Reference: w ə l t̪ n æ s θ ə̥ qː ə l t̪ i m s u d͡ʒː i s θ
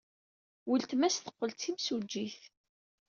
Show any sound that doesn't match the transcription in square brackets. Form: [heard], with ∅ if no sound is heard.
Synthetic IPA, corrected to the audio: w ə l t̪ [m] æ s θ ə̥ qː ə l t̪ i m s u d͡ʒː i [∅] θ